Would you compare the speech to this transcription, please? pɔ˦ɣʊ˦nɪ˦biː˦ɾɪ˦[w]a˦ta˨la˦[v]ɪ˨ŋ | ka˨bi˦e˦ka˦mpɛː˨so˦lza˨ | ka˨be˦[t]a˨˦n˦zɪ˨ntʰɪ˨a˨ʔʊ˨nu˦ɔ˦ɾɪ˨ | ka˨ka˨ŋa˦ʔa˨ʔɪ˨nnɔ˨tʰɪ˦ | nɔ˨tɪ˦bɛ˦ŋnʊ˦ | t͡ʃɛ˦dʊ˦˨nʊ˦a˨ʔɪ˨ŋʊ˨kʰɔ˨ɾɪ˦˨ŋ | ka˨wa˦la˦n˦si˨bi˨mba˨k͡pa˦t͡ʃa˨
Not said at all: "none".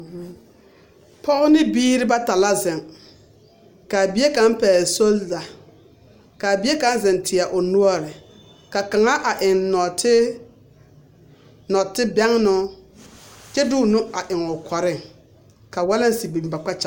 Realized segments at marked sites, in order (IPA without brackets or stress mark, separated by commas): b, z, k